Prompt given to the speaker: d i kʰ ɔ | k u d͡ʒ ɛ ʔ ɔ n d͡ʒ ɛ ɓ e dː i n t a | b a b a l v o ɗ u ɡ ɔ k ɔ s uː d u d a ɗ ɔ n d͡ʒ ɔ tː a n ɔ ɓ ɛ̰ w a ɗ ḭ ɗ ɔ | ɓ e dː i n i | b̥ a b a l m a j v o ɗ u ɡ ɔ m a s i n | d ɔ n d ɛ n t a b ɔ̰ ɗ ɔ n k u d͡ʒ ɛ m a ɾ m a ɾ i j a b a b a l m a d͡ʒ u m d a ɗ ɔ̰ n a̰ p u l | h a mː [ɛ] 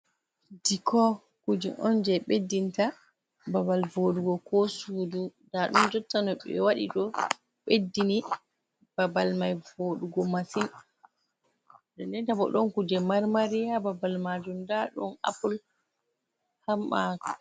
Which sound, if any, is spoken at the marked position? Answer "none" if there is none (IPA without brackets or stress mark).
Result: a